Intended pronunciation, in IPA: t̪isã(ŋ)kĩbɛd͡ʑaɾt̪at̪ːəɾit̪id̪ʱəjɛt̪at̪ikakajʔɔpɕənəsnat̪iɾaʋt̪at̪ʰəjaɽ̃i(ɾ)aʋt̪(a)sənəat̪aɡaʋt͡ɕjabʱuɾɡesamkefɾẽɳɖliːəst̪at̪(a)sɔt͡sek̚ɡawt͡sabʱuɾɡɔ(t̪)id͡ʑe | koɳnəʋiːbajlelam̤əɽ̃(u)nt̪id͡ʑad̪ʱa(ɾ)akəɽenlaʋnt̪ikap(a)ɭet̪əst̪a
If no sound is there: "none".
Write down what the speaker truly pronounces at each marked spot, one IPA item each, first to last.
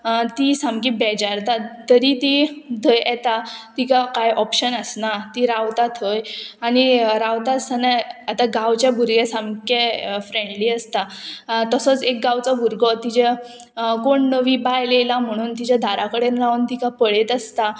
m, ɾ, a, ə, t̪, uː, ɾ, ə

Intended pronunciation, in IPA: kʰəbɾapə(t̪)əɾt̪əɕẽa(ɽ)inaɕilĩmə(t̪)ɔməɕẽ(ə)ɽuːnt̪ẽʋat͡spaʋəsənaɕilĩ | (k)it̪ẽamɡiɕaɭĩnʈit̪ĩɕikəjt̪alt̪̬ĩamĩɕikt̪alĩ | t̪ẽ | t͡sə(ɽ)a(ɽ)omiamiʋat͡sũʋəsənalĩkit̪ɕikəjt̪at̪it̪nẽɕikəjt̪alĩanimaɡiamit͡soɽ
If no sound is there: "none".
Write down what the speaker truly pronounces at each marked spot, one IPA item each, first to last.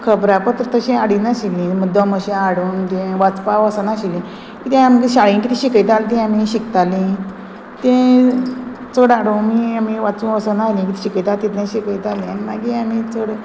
t̪, ɽ, d̪, a, k, ɽ, ɽ

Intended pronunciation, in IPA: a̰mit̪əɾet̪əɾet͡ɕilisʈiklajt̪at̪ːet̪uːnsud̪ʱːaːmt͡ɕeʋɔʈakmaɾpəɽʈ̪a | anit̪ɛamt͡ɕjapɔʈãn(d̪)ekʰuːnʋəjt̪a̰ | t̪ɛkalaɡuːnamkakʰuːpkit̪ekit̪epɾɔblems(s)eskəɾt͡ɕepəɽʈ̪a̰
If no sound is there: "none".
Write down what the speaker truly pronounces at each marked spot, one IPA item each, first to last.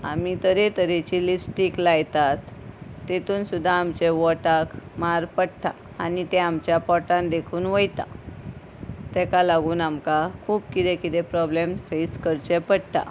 d̪, f

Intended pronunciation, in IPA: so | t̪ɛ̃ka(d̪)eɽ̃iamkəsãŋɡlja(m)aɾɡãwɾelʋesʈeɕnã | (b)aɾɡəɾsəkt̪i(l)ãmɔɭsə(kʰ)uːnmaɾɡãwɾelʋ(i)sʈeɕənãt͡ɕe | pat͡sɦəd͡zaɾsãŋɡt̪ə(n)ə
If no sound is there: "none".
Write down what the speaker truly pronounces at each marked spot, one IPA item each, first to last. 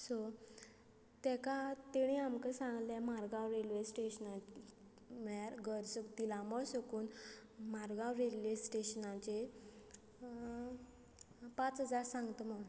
t̪, m, m, l, k, e, m

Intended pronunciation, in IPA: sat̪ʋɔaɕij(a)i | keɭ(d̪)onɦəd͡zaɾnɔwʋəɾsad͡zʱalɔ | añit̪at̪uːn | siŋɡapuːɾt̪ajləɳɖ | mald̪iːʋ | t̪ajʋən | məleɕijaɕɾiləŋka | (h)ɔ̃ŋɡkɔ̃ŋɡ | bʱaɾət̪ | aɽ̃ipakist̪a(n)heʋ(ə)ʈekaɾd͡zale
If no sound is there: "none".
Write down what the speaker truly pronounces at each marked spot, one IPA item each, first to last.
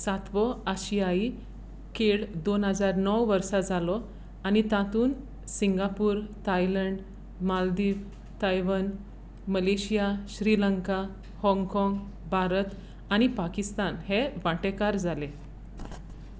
a, d̪, h, n, a

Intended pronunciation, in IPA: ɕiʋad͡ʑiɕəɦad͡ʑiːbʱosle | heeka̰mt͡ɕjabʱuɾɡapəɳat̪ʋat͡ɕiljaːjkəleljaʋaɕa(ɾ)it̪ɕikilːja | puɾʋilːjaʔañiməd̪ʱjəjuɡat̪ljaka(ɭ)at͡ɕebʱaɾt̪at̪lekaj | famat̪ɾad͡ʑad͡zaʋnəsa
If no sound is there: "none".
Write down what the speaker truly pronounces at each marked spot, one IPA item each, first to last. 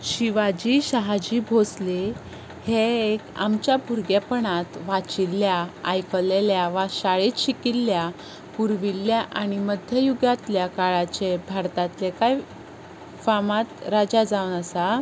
ɭ, ɭ

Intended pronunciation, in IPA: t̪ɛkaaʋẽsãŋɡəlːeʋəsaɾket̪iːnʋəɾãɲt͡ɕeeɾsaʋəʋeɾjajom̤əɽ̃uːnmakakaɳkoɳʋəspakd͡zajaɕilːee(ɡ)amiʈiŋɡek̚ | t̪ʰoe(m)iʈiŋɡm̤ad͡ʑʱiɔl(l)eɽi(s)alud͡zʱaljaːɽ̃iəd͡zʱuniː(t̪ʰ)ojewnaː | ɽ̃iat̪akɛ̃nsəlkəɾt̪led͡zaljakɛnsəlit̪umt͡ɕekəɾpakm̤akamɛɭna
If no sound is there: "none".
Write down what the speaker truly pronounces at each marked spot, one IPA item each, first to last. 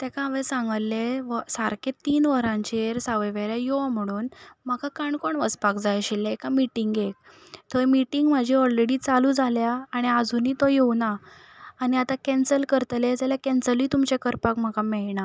k, m, ɾ, t͡s, t̪

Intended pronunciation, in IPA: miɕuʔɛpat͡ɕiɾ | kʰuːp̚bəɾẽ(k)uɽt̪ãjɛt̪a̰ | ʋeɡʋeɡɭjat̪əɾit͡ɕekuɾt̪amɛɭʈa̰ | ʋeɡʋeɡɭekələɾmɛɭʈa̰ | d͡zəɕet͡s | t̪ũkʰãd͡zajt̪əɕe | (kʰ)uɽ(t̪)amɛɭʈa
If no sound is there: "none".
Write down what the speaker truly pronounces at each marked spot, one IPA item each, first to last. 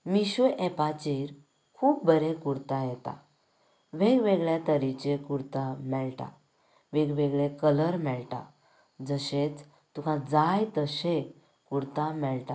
k, k, t̪

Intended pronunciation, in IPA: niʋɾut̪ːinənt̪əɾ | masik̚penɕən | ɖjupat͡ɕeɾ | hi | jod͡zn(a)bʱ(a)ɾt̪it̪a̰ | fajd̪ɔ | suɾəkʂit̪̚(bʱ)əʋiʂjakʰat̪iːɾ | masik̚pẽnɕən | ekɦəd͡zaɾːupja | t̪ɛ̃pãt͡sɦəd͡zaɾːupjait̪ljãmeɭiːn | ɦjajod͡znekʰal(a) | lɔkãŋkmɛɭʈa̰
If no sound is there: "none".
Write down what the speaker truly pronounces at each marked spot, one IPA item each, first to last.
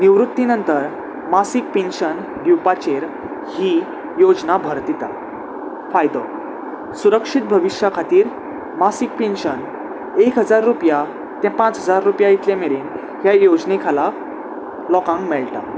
a, ə, bʱ, a

